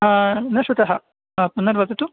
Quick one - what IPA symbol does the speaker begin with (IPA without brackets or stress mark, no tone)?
n